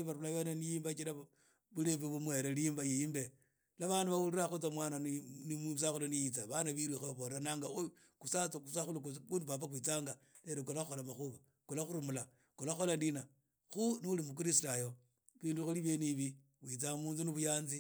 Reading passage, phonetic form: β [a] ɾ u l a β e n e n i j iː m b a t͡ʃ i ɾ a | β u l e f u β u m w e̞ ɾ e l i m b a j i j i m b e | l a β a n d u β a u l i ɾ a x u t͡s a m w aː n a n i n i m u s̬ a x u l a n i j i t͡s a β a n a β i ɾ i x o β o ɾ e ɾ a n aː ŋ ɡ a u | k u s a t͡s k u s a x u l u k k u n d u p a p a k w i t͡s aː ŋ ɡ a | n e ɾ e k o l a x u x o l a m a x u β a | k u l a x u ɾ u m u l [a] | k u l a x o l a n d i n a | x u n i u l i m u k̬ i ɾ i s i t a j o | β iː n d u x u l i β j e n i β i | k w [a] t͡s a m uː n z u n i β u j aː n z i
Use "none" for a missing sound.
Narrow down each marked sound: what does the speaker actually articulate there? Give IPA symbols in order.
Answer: a, a, i

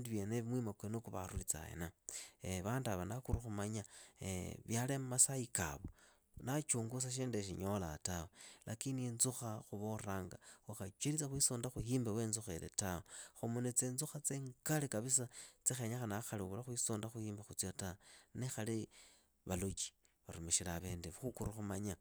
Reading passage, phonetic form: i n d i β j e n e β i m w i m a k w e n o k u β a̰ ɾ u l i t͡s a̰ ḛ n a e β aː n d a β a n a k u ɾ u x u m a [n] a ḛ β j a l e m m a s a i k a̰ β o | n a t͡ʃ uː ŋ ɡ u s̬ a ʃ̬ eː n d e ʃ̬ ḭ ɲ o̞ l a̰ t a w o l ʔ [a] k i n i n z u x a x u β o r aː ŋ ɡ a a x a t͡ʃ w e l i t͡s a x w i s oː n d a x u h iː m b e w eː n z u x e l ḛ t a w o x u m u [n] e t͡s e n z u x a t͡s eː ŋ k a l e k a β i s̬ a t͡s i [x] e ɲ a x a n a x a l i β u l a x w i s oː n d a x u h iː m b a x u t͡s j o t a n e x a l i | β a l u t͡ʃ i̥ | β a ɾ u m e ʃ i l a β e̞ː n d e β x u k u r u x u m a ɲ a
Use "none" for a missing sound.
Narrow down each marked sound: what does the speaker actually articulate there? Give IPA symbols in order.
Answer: ɲ, a, n, x

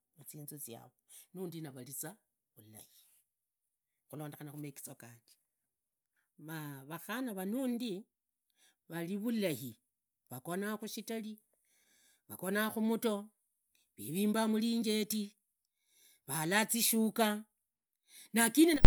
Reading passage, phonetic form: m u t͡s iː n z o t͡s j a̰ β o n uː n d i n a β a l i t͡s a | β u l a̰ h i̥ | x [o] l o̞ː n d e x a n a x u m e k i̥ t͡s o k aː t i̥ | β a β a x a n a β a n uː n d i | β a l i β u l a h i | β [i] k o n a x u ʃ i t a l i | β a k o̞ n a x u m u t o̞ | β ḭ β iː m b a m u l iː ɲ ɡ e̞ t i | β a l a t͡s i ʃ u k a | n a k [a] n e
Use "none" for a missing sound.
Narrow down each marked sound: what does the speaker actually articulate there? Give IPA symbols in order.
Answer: u, a, i

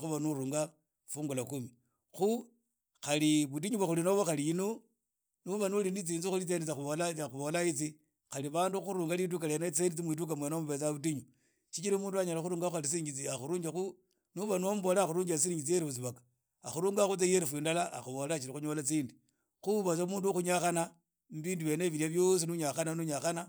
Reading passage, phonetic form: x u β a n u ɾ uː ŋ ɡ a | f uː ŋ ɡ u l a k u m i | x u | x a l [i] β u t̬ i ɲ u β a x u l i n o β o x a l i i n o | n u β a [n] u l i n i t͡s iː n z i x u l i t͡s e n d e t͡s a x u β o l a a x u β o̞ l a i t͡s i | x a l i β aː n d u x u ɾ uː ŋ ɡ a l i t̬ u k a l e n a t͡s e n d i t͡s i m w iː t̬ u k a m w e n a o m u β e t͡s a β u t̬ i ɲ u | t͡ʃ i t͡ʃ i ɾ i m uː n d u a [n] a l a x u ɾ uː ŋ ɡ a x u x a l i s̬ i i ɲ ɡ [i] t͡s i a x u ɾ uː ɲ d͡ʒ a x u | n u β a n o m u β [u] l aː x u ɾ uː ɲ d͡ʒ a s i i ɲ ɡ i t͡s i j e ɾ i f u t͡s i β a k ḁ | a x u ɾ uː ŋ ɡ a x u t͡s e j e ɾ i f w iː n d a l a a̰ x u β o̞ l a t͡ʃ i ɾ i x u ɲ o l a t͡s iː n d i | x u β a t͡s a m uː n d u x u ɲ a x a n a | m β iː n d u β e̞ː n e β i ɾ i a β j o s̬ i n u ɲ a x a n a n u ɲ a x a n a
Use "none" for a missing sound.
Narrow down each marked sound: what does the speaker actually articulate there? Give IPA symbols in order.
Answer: i, n, ɲ, i, o

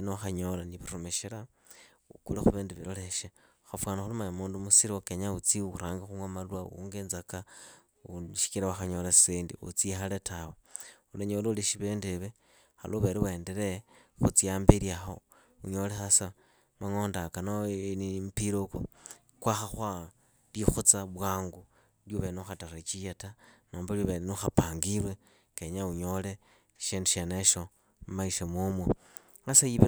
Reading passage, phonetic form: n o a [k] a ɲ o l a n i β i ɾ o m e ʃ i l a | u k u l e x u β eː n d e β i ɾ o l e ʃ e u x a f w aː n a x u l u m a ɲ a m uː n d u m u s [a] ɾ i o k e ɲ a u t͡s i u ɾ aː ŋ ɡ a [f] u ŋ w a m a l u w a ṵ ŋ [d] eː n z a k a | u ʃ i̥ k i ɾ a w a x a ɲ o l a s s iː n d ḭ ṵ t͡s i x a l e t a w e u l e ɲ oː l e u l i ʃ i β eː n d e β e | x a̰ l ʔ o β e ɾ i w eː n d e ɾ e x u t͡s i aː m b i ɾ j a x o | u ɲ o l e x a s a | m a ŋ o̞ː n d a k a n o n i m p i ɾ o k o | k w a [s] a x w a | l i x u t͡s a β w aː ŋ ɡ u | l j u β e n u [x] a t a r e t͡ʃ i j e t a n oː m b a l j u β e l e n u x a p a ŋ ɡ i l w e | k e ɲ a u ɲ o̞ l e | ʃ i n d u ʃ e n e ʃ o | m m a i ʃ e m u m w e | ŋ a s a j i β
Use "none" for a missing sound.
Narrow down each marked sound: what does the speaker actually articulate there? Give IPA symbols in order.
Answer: x, i, x, ɡ, x, x

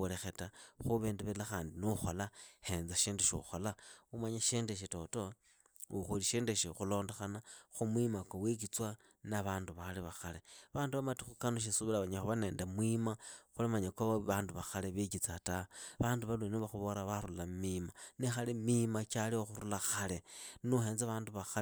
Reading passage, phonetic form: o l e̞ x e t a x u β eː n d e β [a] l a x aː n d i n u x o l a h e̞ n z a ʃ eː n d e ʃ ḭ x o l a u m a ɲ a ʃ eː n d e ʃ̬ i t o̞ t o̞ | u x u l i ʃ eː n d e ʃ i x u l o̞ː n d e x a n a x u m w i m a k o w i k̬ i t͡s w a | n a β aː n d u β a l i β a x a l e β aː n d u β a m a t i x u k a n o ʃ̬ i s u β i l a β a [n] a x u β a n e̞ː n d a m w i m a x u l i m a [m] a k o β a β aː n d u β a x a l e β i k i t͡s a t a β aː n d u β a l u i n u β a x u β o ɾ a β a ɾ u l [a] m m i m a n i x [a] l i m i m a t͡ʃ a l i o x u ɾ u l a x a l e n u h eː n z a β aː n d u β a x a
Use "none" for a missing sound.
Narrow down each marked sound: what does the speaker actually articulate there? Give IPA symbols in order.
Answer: e, ɲ, ɲ, a, a

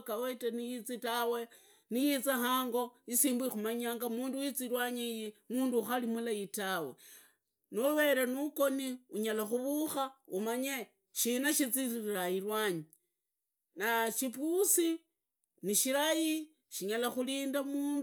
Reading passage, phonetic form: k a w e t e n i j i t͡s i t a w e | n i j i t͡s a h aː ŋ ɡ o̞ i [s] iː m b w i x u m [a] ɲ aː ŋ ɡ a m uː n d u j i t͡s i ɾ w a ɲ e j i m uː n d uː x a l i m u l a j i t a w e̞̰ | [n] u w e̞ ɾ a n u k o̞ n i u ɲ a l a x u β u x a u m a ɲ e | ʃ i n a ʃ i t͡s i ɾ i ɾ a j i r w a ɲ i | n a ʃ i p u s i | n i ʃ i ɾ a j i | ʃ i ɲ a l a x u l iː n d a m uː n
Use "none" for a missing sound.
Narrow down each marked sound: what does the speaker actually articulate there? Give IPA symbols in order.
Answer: s, a, n

